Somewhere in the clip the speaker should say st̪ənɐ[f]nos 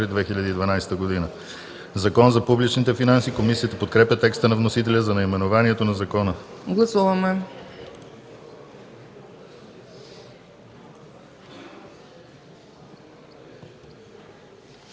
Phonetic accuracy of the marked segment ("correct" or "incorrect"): incorrect